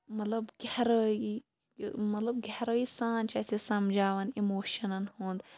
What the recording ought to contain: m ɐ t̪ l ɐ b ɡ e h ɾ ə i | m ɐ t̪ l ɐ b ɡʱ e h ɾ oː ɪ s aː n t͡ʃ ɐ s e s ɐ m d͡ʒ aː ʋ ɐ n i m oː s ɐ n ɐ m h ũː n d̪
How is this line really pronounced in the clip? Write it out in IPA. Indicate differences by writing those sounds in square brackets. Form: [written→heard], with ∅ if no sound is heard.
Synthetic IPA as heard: m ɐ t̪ l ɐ b ɡ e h ɾ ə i | m ɐ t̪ l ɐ b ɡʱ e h ɾ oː [ɪ→i] s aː n t͡ʃ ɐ s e s ɐ m d͡ʒ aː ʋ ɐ n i m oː [s→ʃ] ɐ n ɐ [m→n] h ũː n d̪